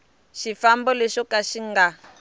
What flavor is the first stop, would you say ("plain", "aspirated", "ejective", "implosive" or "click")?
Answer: plain